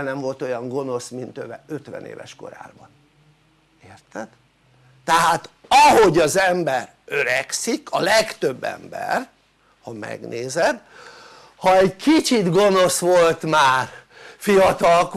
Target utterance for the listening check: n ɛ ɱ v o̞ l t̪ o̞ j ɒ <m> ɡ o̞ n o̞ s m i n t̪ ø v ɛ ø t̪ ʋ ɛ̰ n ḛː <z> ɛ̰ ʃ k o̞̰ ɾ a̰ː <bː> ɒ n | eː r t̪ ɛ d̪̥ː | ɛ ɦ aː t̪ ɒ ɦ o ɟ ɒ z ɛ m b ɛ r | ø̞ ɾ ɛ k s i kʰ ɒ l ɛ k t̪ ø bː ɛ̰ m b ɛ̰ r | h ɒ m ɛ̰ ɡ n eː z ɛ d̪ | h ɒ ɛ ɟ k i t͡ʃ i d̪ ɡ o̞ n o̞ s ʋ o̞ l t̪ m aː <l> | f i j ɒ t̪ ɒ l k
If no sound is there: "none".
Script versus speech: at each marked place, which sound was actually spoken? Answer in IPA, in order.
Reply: ŋ, v, b, r

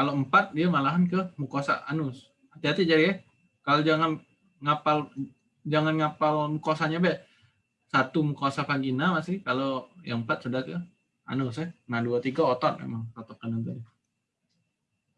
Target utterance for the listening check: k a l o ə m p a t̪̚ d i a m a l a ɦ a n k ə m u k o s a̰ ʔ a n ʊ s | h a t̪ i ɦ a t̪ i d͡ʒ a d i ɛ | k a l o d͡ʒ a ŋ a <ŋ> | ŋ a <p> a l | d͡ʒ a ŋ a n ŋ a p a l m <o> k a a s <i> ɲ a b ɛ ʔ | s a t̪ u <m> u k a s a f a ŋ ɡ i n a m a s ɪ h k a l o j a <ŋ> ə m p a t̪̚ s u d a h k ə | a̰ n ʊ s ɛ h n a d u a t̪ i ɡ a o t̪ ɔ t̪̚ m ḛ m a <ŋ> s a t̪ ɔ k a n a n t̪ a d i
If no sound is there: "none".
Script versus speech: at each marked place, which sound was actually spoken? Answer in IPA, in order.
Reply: n, p, u, a, m, ŋ, ŋ

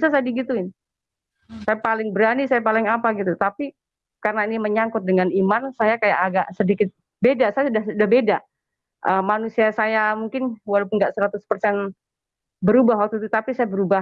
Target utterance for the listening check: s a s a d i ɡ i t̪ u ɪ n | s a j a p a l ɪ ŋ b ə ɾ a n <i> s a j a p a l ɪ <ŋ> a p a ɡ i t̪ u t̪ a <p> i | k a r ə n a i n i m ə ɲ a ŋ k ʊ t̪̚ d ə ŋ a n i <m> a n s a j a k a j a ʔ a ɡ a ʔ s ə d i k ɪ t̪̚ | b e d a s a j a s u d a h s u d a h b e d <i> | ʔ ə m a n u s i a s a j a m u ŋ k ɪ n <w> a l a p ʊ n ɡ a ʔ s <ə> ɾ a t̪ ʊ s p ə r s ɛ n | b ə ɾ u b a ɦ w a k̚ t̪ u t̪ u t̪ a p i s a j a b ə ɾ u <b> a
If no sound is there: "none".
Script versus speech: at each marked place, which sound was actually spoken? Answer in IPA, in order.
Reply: i, ŋ, p, m, a, w, ə, b

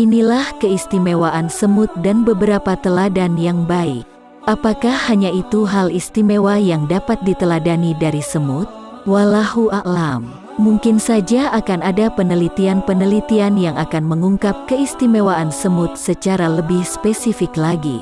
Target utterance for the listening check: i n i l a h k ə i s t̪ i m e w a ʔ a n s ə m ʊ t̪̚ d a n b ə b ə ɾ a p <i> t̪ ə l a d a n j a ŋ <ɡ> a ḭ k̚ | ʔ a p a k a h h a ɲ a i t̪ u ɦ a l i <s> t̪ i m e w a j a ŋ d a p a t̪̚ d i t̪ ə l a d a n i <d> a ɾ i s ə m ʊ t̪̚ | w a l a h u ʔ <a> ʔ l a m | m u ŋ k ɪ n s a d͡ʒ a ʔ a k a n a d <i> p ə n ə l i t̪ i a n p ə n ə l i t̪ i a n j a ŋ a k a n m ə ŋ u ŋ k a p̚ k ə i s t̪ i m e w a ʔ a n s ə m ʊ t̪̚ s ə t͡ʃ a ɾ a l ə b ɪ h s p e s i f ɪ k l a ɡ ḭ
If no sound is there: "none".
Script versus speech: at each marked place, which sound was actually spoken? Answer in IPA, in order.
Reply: a, b, s, d, a, a

